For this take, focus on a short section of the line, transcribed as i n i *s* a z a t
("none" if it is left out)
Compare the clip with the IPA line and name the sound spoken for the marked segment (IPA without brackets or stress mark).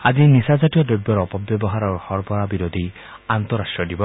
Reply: s